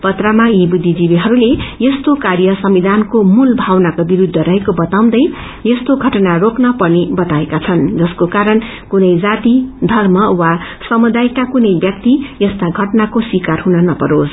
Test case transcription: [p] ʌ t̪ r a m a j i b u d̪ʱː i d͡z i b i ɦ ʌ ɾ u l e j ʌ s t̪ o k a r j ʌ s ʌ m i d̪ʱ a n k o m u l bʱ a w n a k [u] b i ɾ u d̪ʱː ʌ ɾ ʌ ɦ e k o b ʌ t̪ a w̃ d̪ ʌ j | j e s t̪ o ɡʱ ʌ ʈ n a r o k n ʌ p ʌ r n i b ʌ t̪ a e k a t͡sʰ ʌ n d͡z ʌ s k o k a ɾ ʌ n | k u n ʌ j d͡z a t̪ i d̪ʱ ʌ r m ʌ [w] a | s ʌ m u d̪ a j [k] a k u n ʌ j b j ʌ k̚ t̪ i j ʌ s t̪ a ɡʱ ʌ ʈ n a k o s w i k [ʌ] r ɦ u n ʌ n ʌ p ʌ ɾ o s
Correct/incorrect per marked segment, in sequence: correct, incorrect: o, correct, correct, incorrect: a

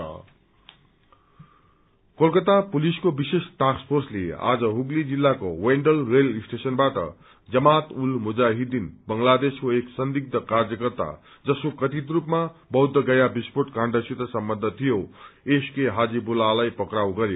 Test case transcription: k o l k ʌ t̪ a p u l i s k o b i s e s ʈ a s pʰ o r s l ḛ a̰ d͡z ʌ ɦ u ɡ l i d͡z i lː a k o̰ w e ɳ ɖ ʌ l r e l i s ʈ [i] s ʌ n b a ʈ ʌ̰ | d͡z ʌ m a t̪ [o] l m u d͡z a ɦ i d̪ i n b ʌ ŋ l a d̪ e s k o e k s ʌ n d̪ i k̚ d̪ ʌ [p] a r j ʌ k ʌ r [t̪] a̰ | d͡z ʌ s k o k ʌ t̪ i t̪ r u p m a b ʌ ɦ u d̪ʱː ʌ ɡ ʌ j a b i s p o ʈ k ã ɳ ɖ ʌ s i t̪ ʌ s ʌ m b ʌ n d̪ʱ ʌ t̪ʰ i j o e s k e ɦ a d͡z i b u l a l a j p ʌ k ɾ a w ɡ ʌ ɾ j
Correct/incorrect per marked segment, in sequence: incorrect: e, incorrect: u, incorrect: k, correct

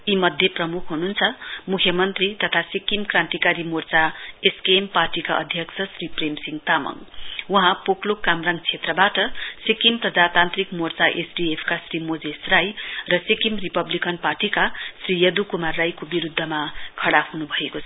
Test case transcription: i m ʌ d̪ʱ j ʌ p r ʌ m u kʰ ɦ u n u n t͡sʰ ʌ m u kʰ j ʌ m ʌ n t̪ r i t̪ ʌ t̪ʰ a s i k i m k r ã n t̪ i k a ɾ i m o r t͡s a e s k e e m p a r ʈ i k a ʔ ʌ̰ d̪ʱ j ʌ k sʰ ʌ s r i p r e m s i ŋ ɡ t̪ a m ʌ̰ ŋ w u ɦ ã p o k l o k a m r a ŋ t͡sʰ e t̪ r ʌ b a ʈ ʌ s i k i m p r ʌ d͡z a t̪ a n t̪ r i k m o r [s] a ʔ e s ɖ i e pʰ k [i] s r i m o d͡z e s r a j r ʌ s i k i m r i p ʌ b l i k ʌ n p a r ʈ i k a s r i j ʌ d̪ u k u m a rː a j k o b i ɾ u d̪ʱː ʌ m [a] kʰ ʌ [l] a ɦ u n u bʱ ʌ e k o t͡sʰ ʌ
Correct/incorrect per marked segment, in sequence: incorrect: t͡s, incorrect: a, correct, incorrect: ɽ

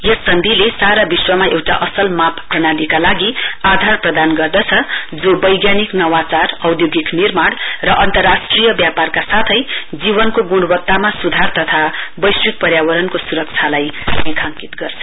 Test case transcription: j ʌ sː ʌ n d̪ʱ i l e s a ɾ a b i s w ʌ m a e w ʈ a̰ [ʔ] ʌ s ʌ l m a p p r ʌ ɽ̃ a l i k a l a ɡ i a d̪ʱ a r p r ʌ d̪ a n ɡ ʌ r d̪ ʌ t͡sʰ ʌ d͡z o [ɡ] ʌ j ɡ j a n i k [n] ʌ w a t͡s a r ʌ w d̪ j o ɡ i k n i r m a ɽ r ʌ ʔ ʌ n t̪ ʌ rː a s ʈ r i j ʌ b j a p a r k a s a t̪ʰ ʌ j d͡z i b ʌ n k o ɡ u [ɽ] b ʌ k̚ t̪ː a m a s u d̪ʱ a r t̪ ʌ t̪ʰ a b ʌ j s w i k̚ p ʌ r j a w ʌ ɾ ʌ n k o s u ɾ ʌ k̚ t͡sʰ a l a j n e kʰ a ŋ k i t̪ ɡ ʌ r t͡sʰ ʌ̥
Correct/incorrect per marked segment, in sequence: correct, incorrect: b, correct, correct

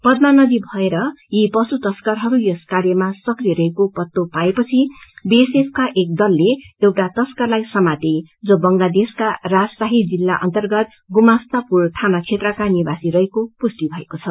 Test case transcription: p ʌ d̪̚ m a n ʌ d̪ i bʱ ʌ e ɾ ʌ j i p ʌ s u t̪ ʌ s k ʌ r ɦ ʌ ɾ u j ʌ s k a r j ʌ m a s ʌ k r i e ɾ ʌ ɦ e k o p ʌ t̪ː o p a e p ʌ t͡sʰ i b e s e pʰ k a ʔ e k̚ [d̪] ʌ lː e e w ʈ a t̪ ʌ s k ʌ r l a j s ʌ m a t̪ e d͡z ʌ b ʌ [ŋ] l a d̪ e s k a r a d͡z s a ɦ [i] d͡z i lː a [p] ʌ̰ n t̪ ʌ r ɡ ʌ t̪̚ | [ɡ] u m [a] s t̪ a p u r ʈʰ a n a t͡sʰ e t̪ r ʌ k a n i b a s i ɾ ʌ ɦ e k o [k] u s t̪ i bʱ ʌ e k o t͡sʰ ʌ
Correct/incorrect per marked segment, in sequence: correct, correct, correct, incorrect: ʔ, correct, correct, incorrect: p

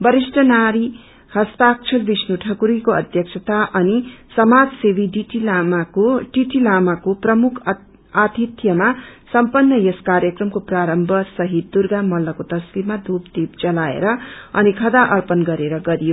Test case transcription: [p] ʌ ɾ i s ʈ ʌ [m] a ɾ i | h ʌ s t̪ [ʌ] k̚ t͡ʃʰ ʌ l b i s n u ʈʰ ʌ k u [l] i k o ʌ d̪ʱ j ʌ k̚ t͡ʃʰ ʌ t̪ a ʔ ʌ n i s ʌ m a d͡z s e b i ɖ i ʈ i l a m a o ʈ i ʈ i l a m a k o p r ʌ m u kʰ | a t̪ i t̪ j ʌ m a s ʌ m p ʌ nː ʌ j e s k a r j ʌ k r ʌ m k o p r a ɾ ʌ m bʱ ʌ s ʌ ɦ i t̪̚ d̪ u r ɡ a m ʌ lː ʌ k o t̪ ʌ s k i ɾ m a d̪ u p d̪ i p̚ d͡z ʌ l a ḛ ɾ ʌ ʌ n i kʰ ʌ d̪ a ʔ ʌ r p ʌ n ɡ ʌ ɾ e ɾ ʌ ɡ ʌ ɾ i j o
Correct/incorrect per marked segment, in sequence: incorrect: b, incorrect: n, incorrect: a, incorrect: ɾ

